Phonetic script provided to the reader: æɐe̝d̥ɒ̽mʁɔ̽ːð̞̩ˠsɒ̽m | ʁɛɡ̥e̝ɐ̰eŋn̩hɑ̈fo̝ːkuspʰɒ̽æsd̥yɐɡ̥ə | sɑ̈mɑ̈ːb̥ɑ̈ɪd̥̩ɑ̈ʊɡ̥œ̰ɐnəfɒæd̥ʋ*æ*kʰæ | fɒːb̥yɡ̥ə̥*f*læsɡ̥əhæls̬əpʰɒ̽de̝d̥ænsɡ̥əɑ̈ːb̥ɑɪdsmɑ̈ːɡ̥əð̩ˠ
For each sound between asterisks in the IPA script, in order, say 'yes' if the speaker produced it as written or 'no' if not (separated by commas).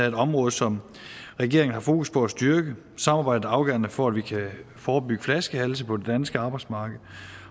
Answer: no, yes